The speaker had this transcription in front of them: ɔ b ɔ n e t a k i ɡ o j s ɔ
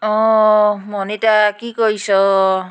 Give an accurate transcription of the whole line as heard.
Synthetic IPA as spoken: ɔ m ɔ n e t a k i k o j s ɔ